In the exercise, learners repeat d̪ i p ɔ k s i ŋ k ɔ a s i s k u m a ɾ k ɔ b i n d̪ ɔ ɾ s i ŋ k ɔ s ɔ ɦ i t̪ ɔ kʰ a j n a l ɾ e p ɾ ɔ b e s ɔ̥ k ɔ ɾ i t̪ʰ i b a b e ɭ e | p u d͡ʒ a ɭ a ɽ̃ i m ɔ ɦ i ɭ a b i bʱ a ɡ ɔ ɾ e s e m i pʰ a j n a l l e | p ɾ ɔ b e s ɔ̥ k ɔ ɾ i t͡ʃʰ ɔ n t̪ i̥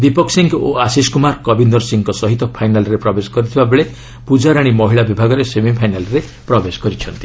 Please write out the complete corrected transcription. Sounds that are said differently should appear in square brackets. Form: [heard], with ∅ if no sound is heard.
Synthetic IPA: d̪ i p ɔ k s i ŋ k [o] a s i s k u m a ɾ k ɔ b i n d̪ ɔ ɾ s i ŋ k ɔ s ɔ ɦ i t̪ ɔ [pʰ] a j n a l ɾ e p ɾ ɔ b e s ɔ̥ k ɔ ɾ i t̪ʰ i b a b e ɭ e | p u d͡ʒ a [ɾ] a ɽ̃ i m ɔ ɦ i ɭ a b i bʱ a ɡ ɔ ɾ e s e m i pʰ a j n a l [ɾ] e | p ɾ ɔ b e s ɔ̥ k ɔ ɾ i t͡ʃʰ ɔ n t̪ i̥